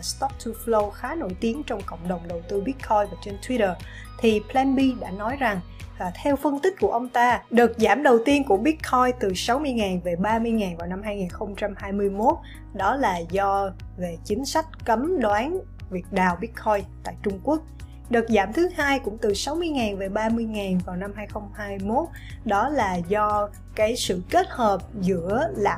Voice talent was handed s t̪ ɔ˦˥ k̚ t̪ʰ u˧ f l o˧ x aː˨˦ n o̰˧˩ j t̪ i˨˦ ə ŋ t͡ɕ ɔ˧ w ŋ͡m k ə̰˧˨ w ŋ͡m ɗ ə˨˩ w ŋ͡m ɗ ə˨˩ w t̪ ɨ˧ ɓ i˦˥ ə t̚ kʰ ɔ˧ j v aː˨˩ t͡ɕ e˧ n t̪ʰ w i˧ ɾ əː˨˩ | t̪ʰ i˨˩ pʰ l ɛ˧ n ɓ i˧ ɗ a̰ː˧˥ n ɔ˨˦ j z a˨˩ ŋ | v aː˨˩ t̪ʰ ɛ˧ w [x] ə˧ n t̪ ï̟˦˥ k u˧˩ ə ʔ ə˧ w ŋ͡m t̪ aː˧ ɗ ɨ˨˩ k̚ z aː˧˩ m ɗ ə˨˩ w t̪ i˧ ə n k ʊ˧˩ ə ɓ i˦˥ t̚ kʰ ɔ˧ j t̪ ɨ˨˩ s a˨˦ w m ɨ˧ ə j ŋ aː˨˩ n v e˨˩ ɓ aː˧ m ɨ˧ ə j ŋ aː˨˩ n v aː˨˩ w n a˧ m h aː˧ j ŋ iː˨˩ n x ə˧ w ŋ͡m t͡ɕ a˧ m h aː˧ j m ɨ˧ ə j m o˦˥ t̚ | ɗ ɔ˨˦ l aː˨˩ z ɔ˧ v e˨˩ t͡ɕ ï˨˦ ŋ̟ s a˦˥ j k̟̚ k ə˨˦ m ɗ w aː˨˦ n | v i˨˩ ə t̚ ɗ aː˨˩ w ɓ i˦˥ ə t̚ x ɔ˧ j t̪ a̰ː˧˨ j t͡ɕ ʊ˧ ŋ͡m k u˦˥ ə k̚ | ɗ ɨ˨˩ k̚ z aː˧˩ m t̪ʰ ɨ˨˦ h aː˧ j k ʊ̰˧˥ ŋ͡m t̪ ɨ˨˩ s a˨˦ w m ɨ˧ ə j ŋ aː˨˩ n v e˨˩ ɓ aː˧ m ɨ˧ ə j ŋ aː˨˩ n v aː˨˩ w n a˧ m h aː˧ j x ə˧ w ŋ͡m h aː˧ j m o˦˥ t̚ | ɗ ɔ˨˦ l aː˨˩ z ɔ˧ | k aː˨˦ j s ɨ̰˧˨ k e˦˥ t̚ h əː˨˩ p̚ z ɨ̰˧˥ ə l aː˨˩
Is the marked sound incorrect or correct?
incorrect